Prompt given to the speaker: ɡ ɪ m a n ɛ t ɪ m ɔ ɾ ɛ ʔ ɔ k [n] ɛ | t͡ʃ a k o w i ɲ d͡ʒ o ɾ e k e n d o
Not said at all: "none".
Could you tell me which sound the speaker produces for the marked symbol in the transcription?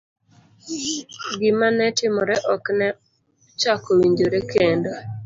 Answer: n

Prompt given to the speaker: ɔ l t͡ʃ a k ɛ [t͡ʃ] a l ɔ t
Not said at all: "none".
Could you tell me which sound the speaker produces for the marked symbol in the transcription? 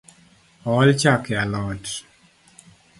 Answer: none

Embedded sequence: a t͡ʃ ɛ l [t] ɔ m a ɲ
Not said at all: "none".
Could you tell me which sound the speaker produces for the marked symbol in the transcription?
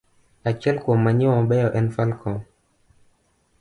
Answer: k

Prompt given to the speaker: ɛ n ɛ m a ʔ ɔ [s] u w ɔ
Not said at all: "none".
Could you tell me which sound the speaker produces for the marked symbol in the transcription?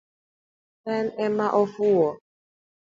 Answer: f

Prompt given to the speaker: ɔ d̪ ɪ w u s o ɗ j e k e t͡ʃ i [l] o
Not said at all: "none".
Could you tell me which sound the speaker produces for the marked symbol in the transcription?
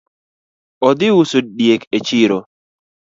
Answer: ɾ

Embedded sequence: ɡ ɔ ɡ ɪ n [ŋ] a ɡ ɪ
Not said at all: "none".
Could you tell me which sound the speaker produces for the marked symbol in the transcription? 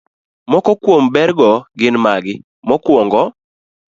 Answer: m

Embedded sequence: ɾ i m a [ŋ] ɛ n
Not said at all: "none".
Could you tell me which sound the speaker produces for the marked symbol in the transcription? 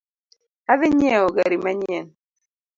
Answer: ɲ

